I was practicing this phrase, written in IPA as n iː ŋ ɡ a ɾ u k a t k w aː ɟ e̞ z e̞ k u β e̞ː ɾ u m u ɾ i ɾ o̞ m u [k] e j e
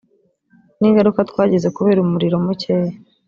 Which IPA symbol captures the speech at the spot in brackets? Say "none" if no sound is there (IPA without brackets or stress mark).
c